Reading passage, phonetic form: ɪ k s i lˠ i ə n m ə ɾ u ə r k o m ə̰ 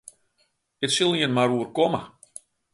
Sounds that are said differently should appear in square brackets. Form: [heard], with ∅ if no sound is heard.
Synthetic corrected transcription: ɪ [t] s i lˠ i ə n m [a] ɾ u ə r k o m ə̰